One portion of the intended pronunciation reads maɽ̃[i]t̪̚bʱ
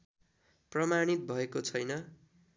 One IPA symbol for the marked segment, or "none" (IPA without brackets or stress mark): i